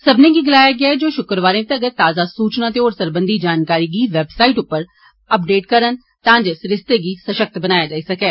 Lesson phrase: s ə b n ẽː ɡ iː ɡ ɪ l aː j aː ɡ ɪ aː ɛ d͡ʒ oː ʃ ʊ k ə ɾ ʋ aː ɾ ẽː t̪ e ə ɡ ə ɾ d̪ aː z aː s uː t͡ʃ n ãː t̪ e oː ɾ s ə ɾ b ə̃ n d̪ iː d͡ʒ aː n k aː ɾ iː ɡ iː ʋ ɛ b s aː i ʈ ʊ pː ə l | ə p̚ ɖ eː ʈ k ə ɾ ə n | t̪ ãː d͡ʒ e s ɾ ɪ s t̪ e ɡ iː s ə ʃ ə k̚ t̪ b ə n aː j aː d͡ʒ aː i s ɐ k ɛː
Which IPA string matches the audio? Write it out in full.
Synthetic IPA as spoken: s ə b n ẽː ɡ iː ɡ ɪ l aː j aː ɡ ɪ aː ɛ d͡ʒ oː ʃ ʊ k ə ɾ ʋ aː ɾ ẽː t̪ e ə ɡ ə ɾ t̪ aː z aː s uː t͡ʃ n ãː t̪ e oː ɾ s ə ɾ b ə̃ n d̪ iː d͡ʒ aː n k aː ɾ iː ɡ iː ʋ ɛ b s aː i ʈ ʊ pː ə ɾ | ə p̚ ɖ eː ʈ k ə ɾ ə n | t̪ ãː d͡ʒ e s ɾ ɪ s t̪ e ɡ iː s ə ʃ ə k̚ t̪ b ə n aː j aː d͡ʒ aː i s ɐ k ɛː